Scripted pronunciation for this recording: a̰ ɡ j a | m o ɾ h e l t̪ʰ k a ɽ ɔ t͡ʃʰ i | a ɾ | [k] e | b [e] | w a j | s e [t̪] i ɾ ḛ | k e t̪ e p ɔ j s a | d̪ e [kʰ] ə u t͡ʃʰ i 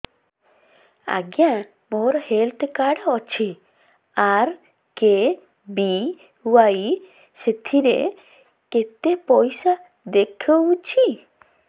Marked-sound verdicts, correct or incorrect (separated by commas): correct, incorrect, incorrect, correct